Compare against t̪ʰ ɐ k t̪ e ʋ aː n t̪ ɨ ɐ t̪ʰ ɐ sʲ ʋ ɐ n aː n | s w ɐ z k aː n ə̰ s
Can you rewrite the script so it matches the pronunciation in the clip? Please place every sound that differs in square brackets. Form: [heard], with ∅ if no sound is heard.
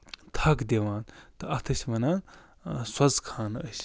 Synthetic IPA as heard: t̪ʰ ɐ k [d̪] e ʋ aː n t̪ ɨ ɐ t̪ʰ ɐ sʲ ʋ ɐ n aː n | s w ɐ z [kʰ] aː n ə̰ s